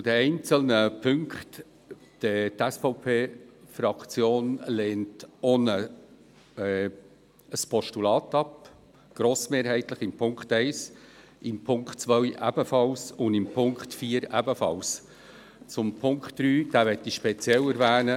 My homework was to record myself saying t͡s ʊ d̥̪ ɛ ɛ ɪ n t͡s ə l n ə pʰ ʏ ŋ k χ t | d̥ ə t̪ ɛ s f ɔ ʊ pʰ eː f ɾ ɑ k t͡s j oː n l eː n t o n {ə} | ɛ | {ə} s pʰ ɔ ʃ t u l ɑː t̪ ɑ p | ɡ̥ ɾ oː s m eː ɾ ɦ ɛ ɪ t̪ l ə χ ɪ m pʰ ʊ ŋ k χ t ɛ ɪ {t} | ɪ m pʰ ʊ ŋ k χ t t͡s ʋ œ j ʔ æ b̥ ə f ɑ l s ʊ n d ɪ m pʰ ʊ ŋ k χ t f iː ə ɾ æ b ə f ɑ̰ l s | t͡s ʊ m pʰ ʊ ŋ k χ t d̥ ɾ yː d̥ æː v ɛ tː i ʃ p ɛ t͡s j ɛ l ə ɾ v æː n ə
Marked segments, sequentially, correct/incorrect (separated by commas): correct, correct, incorrect